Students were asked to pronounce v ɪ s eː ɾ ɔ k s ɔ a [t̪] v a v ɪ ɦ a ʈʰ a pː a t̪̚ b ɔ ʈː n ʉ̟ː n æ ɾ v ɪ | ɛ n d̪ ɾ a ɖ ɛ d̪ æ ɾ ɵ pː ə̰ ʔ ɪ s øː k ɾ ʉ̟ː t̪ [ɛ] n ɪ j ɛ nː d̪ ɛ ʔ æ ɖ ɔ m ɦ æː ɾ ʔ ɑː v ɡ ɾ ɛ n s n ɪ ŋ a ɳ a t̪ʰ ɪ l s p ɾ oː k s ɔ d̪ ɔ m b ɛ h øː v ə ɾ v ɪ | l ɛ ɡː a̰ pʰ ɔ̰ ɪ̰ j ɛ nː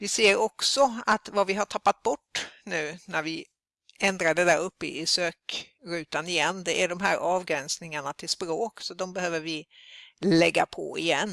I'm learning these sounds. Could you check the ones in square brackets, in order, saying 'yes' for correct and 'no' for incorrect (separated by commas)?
yes, no